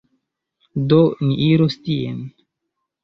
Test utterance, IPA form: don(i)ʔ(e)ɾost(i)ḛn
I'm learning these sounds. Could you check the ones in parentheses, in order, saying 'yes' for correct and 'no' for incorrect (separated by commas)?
yes, no, yes